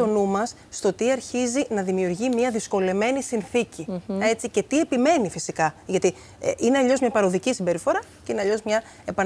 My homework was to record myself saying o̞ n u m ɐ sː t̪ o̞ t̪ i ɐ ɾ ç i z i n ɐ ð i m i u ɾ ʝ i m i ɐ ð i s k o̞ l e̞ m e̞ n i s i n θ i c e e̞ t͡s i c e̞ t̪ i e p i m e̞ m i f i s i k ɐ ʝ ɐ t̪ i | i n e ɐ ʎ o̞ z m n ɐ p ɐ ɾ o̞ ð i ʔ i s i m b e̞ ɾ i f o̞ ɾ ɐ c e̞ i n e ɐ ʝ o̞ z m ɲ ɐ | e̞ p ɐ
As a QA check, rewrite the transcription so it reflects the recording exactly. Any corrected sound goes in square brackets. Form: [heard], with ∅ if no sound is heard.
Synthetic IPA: o̞ n u m ɐ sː t̪ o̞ t̪ i ɐ ɾ ç i z i n ɐ ð i m i u ɾ ʝ i m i ɐ ð i s k o̞ l e̞ m e̞ n i s i n θ i c [i] e̞ t͡s i c e̞ t̪ i e p i m e̞ [n] i f i s i k ɐ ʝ ɐ t̪ i | i n e ɐ ʎ o̞ z m [ɲ] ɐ p ɐ ɾ o̞ ð i [c] i s i m b e̞ ɾ i f o̞ ɾ ɐ c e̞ i n e ɐ [ʎ] o̞ z m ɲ ɐ | e̞ p ɐ